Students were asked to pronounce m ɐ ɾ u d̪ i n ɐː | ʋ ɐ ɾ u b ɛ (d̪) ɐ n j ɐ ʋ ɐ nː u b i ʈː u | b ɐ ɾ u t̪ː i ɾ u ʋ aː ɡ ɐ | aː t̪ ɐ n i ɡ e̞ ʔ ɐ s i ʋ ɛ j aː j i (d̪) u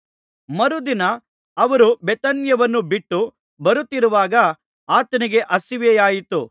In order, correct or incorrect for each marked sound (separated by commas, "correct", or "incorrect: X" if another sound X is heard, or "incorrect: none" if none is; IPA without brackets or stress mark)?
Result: incorrect: t̪, incorrect: t̪